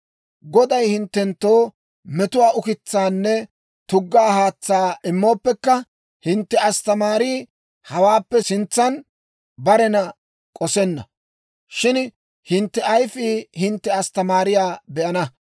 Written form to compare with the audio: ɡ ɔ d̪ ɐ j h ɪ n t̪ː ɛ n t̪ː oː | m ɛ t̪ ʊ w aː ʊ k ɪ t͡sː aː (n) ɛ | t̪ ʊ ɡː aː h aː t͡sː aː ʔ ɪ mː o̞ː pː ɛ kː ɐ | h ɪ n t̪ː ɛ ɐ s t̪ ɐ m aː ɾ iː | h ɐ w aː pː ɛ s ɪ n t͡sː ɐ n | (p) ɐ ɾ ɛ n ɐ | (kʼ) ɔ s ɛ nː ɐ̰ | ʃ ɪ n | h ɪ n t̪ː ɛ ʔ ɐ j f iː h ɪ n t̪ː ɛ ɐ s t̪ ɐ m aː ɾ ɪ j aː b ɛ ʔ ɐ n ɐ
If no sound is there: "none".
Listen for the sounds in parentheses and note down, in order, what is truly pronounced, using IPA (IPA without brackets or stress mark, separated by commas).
nː, b, kʼ